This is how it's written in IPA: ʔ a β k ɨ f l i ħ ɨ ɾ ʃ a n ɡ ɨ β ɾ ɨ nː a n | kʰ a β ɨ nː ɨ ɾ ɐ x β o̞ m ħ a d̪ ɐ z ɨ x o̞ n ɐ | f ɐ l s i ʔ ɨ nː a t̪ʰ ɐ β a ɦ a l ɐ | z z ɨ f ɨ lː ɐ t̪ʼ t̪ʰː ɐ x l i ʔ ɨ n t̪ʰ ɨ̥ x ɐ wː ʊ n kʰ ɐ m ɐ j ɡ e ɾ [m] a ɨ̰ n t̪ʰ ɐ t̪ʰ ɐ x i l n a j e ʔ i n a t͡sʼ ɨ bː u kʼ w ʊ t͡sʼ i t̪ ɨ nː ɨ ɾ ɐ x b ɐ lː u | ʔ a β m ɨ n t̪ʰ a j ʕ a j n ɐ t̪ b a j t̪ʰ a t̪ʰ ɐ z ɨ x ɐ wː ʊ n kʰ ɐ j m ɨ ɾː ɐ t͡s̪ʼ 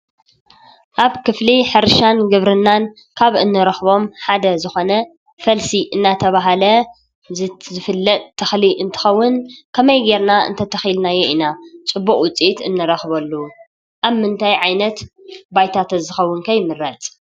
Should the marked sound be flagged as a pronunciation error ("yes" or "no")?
yes